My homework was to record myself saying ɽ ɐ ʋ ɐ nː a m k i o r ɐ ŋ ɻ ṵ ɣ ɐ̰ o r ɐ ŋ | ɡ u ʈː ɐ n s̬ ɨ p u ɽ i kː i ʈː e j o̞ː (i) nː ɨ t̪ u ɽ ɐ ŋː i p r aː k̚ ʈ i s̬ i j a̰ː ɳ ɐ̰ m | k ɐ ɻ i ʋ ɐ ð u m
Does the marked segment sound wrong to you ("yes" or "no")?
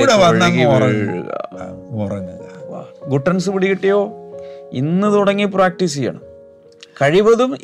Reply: no